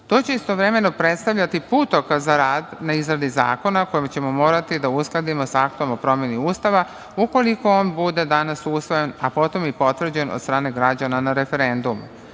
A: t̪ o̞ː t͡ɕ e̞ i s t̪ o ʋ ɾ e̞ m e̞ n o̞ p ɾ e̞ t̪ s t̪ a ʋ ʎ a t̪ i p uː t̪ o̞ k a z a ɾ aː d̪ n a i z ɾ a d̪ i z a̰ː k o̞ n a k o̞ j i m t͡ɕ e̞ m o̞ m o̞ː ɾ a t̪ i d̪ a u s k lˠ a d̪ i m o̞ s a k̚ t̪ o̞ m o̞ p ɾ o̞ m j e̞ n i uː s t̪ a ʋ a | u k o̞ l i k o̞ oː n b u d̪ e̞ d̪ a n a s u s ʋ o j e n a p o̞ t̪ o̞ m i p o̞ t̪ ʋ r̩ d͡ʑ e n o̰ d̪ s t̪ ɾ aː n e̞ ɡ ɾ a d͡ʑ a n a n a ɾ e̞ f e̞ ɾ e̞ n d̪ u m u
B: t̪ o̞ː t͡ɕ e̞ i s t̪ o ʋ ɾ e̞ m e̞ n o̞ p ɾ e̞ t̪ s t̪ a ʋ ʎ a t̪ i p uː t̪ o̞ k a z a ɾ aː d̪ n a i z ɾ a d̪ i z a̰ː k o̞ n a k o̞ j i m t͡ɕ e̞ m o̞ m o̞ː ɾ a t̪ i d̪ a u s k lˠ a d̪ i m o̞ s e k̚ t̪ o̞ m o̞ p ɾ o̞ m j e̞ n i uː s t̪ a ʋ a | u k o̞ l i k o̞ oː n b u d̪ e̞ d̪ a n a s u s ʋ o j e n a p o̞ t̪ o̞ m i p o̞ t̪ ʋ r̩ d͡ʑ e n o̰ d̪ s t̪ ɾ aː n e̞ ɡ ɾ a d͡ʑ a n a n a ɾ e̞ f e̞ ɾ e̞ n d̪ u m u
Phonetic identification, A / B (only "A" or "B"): A